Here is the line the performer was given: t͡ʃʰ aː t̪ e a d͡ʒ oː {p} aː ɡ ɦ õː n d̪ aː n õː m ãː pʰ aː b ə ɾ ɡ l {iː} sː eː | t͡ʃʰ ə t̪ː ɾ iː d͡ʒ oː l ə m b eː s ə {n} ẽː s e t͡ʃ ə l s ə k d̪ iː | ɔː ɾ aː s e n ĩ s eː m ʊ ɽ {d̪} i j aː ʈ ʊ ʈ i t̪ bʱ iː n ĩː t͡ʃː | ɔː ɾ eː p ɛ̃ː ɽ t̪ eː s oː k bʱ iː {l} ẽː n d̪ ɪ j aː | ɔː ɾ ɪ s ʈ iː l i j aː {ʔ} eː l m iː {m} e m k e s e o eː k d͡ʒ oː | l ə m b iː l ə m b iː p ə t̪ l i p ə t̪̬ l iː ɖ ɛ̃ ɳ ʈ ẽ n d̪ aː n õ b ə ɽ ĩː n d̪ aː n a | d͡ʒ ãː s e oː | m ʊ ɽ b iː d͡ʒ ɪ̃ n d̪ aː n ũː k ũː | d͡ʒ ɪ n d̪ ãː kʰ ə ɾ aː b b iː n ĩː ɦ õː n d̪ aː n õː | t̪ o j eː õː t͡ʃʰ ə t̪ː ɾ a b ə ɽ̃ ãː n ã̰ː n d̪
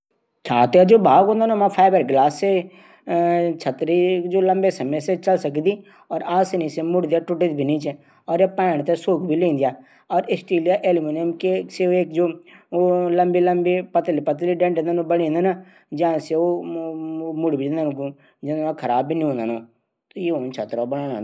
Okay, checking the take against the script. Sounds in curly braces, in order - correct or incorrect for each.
incorrect, incorrect, incorrect, correct, correct, correct, incorrect

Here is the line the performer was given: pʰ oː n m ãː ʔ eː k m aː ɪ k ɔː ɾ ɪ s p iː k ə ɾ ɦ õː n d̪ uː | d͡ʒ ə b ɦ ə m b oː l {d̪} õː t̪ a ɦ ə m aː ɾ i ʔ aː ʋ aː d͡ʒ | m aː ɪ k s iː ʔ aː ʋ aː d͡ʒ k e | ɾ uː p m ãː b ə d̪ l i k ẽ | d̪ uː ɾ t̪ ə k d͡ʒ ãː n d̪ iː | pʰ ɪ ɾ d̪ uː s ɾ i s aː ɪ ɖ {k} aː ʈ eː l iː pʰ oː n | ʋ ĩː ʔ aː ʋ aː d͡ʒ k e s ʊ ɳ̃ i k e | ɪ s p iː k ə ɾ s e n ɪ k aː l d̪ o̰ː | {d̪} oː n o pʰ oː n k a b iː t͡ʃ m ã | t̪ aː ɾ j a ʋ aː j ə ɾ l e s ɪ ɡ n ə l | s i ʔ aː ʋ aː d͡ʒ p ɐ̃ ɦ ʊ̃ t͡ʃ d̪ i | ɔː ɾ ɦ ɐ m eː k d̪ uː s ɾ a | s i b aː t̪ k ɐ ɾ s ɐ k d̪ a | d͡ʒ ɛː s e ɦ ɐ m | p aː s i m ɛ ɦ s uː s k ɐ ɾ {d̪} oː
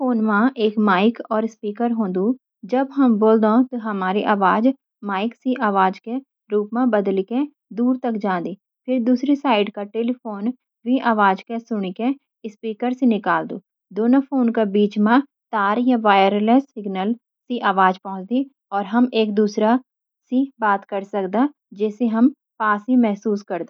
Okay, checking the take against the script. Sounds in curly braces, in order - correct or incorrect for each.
correct, correct, correct, correct

